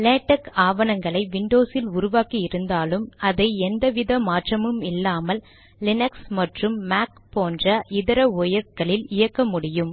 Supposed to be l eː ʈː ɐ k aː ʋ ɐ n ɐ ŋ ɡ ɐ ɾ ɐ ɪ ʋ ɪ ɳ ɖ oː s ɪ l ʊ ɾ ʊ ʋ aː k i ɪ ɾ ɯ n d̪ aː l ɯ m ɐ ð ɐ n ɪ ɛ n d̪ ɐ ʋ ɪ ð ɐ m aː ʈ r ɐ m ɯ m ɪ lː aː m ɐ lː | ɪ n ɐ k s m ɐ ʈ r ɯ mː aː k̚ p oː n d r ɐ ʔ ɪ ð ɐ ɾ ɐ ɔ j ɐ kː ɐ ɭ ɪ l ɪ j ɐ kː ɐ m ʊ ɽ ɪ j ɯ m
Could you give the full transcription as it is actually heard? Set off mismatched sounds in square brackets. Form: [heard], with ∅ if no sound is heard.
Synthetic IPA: l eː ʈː ɐ k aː ʋ ɐ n ɐ ŋ ɡ ɐ [ɭ] ɐ ɪ ʋ ɪ ɳ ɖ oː s ɪ l ʊ ɾ ʊ ʋ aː k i ɪ ɾ ɯ n d̪ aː l ɯ m ɐ ð ɐ [∅] ɪ ɛ n d̪ ɐ ʋ ɪ ð ɐ m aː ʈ r ɐ m ɯ m ɪ lː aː m ɐ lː | ɪ n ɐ k s m ɐ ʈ r ɯ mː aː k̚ p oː n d r ɐ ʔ ɪ ð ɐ ɾ ɐ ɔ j ɐ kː ɐ ɭ ɪ l ɪ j ɐ kː ɐ m ʊ ɽ ɪ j ɯ m

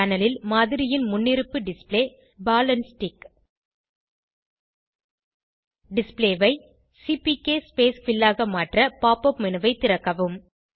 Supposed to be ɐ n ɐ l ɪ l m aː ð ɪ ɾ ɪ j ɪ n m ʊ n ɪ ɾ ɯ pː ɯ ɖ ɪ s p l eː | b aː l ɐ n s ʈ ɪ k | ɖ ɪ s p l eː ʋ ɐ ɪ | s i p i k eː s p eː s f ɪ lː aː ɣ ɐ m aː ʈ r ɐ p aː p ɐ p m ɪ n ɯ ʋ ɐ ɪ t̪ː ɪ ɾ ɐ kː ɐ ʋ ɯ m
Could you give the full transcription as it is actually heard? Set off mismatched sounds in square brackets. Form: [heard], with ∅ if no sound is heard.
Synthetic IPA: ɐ n ɐ l ɪ l m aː ð ɪ ɾ ɪ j ɪ n m ʊ [nː] ɪ ɾ ɯ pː ɯ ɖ ɪ s p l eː | b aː l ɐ n s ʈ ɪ k | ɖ ɪ s p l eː ʋ ɐ ɪ | s i p i k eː s p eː s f ɪ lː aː ɣ ɐ m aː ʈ r ɐ p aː p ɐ p m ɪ n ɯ ʋ ɐ ɪ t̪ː ɪ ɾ ɐ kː ɐ ʋ ɯ m

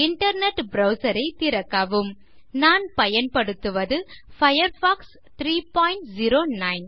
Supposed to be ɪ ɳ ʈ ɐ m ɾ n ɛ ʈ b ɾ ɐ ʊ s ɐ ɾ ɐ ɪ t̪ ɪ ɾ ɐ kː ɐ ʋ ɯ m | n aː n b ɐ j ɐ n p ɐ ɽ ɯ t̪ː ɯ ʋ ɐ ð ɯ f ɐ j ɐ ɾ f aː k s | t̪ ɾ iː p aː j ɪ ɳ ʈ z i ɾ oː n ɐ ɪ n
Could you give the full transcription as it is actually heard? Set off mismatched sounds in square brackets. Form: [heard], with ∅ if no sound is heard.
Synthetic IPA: ɪ ɳ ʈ ɐ [∅] ɾ n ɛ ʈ b ɾ ɐ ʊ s ɐ ɾ ɐ ɪ t̪ ɪ ɾ ɐ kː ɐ ʋ ɯ m | n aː n [p] ɐ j ɐ n p ɐ ɽ ɯ t̪ː ɯ ʋ ɐ ð ɯ f ɐ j ɐ ɾ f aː k s | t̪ ɾ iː p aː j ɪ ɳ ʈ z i ɾ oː n ɐ ɪ n

